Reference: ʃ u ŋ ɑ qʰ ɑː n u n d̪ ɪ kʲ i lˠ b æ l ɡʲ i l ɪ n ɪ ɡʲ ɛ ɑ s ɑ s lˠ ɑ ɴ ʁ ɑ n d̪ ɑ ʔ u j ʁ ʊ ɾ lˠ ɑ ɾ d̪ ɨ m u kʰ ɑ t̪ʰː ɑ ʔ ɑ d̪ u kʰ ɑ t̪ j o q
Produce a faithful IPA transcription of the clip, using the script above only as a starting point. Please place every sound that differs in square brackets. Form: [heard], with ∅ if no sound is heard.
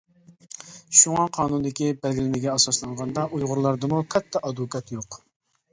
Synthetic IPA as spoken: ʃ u ŋ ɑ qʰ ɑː n u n d̪ ɪ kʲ i [∅] b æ l ɡʲ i l ɪ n ɪ ɡʲ ɛ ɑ s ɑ s lˠ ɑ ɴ ʁ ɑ n d̪ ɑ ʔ u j ʁ ʊ ɾ lˠ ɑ ɾ d̪ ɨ m u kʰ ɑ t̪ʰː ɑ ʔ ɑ d̪ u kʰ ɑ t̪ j o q